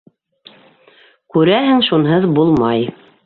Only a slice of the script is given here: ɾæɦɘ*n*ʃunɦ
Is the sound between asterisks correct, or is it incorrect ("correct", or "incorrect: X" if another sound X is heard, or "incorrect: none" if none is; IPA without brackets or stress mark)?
incorrect: ŋ